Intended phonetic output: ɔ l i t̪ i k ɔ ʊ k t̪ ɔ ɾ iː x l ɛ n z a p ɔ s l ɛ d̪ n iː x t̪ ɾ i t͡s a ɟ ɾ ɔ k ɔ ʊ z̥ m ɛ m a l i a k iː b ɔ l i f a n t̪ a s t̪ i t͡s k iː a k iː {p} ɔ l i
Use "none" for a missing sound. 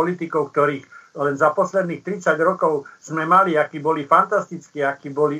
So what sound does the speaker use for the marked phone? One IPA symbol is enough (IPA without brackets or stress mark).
b